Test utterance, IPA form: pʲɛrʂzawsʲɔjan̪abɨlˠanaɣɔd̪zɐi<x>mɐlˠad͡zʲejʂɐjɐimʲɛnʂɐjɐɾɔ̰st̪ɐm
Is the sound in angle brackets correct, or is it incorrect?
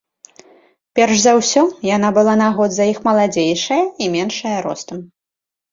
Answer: correct